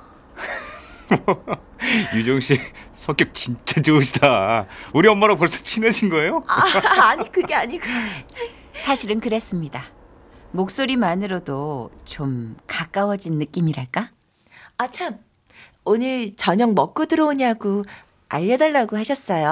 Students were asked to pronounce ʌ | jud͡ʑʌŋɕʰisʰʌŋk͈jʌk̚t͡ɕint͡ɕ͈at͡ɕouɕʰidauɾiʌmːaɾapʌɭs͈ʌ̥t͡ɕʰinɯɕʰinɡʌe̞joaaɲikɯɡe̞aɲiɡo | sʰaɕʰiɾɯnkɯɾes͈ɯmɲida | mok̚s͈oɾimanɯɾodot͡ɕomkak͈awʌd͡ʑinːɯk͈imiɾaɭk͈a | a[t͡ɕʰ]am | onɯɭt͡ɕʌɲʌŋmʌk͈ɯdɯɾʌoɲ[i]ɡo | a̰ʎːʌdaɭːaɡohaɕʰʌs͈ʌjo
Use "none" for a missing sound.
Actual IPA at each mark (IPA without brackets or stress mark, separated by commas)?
t͡ɕʰ, a